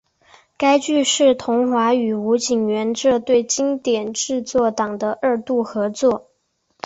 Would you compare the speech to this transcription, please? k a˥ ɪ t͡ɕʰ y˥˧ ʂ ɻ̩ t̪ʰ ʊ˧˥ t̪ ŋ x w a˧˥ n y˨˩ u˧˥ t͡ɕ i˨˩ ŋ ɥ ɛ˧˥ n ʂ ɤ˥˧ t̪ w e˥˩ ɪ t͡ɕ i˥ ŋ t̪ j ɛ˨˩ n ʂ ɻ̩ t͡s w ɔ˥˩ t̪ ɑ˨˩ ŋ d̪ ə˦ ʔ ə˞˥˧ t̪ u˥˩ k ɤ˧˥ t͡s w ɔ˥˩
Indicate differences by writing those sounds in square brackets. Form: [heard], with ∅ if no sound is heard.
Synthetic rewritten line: k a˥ ɪ [t͡ɕ] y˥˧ ʂ ɻ̩ t̪ʰ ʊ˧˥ [∅] ŋ x w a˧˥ [∅] y˨˩ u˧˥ t͡ɕ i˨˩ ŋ ɥ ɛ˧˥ n [ʈ͡ʂ] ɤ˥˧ t̪ w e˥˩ ɪ t͡ɕ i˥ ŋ t̪ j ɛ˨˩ n [ʈ͡ʂ] ɻ̩ t͡s w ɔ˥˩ t̪ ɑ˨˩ ŋ d̪ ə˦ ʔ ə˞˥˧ t̪ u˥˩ [x] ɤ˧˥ t͡s w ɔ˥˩